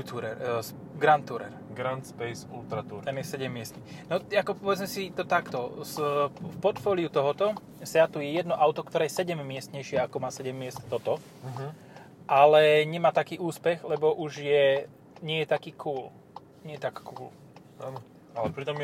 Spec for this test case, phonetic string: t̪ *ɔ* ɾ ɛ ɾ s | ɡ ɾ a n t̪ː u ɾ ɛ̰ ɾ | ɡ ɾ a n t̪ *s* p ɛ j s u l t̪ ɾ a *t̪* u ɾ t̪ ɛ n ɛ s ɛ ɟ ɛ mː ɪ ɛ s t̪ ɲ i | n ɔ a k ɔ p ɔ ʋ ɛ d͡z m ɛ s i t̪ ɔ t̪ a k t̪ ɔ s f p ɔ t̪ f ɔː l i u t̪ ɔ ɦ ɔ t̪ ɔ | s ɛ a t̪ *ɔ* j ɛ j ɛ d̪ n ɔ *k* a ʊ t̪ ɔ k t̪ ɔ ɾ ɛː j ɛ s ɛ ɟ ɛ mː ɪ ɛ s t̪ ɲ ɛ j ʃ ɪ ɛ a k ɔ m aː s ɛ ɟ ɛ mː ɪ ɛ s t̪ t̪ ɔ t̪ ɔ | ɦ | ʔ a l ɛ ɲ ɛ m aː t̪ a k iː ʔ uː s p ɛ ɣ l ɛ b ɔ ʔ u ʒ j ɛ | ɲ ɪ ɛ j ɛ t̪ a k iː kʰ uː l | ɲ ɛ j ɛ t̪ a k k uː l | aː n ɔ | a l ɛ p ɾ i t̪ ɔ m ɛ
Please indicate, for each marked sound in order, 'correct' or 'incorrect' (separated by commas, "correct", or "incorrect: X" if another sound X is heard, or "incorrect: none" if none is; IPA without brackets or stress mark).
incorrect: u, correct, correct, incorrect: u, incorrect: ʔ